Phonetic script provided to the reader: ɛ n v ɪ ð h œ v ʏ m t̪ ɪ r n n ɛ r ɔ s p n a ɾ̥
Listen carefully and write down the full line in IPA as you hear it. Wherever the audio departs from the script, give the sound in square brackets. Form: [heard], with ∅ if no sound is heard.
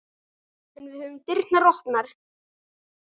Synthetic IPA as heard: ɛ n v ɪ ð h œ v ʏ m t̪ ɪ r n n [a] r ɔ [h] p n a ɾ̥